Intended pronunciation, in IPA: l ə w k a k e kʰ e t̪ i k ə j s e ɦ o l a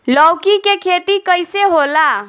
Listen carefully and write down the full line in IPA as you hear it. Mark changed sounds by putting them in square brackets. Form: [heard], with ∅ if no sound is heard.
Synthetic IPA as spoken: l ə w k [i] k e kʰ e t̪ i k ə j s e ɦ o l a